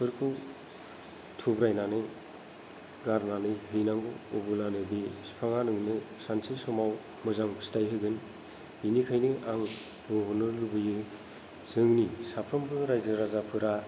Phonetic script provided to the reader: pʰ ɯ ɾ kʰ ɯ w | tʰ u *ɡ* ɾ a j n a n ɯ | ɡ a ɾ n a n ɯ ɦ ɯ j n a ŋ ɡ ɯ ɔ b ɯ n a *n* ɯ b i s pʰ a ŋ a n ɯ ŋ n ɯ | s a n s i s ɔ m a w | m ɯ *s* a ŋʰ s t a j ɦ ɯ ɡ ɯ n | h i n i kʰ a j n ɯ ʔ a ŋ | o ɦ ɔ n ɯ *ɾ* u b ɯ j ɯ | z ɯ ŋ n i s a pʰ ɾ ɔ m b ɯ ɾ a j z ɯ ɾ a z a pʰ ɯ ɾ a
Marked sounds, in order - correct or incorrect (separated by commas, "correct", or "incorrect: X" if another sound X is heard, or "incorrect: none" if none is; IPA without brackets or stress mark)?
incorrect: b, correct, incorrect: z, incorrect: l